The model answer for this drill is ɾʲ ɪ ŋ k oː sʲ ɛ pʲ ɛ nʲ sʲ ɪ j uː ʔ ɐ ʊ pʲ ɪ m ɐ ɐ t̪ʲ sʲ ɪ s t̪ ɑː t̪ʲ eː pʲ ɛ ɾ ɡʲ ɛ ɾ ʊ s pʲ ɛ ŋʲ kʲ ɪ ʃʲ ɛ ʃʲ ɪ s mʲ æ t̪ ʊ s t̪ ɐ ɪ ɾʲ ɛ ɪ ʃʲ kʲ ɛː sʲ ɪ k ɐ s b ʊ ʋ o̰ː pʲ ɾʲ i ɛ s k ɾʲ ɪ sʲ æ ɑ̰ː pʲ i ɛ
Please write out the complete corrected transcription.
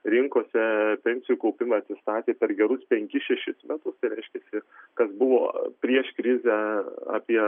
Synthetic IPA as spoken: ɾʲ ɪ ŋ k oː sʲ ɛ pʲ ɛ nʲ sʲ ɪ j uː k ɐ ʊ pʲ ɪ m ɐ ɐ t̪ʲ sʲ ɪ s t̪ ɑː t̪ʲ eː pʲ ɛ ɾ ɡʲ ɛ ɾ ʊ s pʲ ɛ ŋʲ kʲ ɪ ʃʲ ɛ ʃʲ ɪ s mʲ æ t̪ ʊ s t̪ ɐ ɪ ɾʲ ɛ ɪ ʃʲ kʲ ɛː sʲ ɪ k ɐ s b ʊ ʋ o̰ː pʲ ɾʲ i ɛ ʃ k ɾʲ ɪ zʲ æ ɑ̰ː pʲ i ɛ